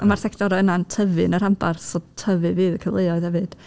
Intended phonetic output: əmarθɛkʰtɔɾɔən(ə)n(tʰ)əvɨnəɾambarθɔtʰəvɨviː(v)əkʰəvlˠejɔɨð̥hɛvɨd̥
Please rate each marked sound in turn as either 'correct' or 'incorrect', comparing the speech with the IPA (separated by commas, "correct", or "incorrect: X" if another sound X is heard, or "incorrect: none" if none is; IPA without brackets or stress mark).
incorrect: a, correct, incorrect: ð